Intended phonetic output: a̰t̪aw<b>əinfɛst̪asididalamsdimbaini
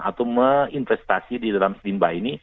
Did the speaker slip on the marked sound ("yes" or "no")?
yes